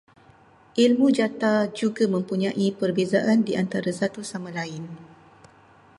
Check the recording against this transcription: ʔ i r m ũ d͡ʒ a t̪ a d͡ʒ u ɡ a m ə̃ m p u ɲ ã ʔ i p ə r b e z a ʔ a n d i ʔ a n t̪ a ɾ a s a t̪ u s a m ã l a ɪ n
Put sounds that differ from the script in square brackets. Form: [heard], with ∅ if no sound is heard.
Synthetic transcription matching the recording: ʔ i [l] m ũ d͡ʒ a t̪ a d͡ʒ u ɡ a m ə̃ m p u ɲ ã ʔ i p ə r b e z a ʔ a n d i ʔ a n t̪ a ɾ a s a t̪ u s a m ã l a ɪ n